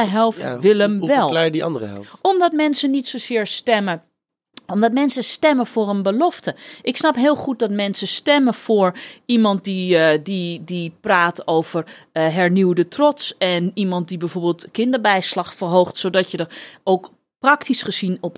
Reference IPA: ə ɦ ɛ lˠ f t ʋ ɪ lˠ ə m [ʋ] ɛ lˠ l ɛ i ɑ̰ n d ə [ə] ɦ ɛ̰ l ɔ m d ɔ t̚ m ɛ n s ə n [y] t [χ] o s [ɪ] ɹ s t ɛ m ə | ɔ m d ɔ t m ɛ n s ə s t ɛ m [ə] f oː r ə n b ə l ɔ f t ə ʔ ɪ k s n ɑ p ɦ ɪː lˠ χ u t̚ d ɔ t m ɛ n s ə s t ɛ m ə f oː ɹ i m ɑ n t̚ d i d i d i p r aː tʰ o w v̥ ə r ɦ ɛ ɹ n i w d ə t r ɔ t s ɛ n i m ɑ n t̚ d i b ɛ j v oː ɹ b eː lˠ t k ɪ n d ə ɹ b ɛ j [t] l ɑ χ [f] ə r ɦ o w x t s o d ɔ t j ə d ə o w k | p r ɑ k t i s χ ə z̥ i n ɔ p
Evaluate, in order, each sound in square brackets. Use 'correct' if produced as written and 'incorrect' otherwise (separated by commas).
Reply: correct, correct, incorrect, incorrect, incorrect, correct, incorrect, correct